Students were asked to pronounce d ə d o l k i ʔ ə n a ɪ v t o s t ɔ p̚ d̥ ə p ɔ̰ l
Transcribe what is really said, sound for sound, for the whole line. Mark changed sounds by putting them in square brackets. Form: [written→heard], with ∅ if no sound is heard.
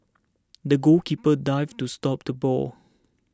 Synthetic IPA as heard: d ə [d→ɡ] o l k i [ʔ→p] ə [n→d] a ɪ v t [o→u] s t ɔ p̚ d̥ ə [p→b] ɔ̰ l